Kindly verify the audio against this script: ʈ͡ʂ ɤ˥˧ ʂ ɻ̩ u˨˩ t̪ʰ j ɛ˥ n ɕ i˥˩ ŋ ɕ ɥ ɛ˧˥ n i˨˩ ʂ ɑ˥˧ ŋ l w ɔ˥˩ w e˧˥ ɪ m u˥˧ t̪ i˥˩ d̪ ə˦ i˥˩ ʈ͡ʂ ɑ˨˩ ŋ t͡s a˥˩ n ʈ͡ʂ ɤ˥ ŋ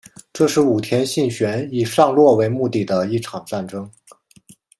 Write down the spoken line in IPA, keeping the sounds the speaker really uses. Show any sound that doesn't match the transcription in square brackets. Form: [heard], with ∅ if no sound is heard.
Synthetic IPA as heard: ʈ͡ʂ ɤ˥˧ ʂ ɻ̩ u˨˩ t̪ʰ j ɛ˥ n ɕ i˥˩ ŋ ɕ ɥ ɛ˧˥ n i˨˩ ʂ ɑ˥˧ ŋ l w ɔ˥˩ w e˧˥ ɪ m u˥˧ t̪ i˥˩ d̪ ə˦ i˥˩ [ʈ͡ʂʰ] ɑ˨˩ ŋ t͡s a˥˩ n ʈ͡ʂ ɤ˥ ŋ